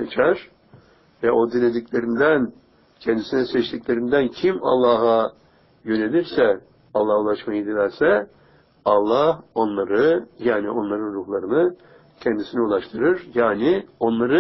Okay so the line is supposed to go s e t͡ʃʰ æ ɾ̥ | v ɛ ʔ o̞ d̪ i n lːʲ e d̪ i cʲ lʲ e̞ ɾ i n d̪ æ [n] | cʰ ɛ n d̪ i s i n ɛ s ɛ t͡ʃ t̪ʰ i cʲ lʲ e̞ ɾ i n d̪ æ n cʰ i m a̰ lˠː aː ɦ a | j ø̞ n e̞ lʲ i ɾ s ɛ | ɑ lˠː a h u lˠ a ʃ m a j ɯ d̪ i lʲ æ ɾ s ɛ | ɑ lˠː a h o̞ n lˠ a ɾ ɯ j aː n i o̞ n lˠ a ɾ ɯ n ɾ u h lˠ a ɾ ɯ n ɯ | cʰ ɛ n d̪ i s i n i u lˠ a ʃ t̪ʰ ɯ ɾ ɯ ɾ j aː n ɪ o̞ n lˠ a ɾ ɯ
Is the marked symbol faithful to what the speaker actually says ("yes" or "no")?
yes